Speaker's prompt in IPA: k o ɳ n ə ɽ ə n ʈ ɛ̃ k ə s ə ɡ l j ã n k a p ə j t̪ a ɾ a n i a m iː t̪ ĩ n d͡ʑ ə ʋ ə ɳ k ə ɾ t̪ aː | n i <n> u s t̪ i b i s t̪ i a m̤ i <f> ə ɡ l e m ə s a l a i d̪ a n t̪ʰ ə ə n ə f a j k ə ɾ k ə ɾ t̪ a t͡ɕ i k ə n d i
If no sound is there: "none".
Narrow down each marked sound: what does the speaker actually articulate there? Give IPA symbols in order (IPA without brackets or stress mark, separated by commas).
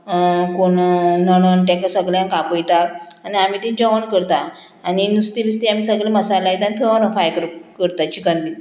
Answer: n, s